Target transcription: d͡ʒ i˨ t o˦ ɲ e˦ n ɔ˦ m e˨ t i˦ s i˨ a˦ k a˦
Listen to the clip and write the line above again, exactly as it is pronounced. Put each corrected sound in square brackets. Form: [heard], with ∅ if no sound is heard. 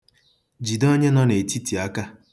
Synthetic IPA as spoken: d͡ʒ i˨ [d] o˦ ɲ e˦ n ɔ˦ [n] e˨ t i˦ [t] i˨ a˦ k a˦